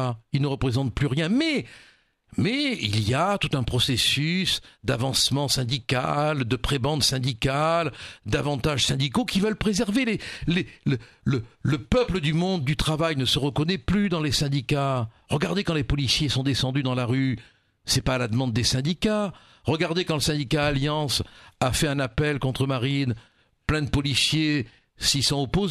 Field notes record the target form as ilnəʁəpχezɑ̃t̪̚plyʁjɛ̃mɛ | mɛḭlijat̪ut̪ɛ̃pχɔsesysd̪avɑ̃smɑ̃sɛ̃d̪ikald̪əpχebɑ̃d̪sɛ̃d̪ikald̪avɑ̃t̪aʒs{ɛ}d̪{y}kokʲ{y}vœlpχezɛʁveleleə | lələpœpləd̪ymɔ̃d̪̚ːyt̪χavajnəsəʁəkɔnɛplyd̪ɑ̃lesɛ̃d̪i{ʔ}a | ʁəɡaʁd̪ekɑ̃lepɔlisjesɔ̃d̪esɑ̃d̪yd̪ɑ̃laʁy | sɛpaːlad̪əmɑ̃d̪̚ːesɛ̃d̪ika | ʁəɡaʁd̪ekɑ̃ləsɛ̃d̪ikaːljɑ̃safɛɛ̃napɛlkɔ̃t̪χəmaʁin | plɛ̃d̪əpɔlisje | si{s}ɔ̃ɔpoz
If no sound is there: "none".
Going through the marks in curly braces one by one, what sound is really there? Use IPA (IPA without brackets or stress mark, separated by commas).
ɛ̃, i, i, k, s